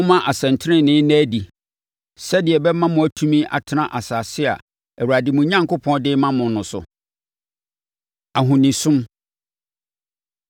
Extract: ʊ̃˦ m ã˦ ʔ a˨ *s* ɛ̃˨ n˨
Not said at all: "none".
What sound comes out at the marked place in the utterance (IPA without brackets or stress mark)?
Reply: s